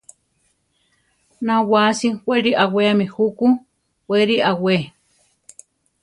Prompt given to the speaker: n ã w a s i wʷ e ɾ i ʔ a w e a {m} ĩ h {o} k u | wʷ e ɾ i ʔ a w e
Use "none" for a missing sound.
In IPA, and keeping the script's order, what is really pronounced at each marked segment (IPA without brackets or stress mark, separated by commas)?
m, u